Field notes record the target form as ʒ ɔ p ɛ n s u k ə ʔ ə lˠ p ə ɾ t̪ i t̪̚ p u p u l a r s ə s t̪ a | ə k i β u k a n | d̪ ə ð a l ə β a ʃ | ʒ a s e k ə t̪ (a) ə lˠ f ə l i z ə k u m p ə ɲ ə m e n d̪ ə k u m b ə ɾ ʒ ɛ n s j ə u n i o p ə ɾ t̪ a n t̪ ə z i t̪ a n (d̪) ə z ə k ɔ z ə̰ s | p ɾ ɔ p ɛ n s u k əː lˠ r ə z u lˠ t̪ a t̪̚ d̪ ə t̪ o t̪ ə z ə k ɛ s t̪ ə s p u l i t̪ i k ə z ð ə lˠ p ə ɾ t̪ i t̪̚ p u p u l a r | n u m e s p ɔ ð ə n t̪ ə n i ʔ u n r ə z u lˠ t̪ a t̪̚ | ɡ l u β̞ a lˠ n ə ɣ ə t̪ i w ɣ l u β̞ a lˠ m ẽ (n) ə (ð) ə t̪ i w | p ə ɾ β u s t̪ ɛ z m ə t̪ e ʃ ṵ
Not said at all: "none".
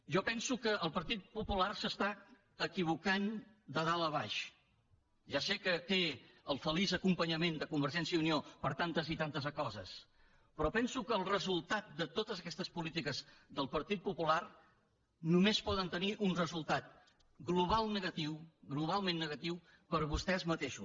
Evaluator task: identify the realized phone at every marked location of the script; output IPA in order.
e, t̪, nː, ɣ

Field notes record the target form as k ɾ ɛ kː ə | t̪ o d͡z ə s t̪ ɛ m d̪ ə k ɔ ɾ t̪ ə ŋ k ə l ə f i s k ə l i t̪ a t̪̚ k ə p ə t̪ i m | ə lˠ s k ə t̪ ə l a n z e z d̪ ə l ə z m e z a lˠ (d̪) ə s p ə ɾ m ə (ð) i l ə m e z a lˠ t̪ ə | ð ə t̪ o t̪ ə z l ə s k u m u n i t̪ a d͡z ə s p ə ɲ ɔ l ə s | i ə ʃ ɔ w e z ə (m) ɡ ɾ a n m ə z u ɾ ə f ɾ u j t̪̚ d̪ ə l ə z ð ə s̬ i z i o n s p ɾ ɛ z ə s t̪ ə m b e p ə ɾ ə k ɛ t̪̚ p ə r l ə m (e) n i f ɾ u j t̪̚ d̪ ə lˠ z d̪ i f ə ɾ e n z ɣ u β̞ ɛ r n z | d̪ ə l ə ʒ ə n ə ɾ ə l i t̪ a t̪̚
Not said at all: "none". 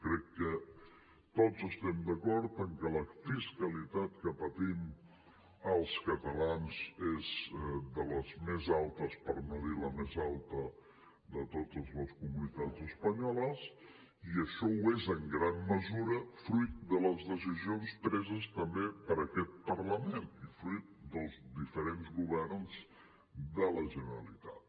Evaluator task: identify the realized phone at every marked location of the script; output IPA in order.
t̪, ð, ŋ, e

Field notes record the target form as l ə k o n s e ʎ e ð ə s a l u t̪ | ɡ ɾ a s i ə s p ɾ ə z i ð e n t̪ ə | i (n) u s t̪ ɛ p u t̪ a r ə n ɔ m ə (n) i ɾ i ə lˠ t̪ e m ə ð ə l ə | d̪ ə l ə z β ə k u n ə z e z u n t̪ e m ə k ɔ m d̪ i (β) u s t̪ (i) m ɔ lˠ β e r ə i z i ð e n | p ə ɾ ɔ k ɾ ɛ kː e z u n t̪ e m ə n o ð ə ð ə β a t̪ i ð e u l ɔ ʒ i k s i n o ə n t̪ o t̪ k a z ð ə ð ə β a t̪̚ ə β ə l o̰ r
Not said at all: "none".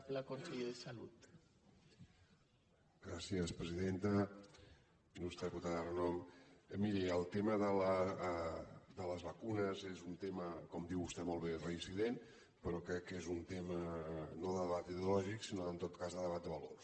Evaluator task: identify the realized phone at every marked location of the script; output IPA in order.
n, m, w, ɛ

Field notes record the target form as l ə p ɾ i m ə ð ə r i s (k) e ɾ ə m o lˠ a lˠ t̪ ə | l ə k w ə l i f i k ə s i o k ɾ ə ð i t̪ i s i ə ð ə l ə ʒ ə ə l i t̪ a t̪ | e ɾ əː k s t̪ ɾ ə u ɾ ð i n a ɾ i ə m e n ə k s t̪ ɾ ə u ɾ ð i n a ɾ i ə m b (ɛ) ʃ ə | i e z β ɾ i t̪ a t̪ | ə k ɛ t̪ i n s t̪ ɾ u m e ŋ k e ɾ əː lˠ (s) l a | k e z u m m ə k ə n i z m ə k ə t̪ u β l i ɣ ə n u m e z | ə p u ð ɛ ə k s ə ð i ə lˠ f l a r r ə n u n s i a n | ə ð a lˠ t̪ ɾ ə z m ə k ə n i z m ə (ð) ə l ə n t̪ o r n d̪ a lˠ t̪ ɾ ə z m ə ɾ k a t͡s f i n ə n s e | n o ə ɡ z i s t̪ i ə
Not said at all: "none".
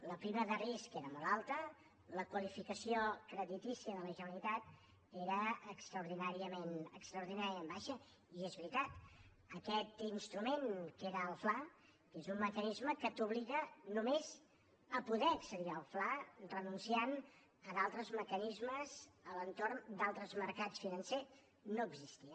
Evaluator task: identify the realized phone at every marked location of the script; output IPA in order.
k, a, f, z

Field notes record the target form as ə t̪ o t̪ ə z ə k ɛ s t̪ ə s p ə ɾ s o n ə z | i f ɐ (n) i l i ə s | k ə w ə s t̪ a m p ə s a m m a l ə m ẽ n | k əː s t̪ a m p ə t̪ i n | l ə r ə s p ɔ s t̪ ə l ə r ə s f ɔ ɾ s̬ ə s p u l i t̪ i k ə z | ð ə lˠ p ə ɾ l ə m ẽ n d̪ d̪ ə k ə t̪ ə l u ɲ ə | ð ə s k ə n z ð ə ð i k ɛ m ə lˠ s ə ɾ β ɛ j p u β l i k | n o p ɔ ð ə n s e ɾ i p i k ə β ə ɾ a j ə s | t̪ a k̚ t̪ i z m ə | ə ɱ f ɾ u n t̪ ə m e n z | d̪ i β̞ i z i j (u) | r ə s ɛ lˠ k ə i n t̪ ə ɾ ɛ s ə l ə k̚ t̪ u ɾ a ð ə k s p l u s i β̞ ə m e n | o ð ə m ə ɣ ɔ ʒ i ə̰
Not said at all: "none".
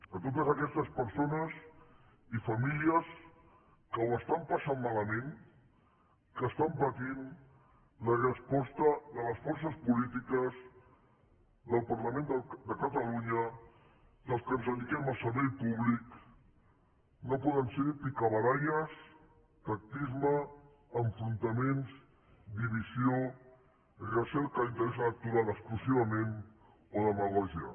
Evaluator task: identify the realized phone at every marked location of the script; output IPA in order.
m, o

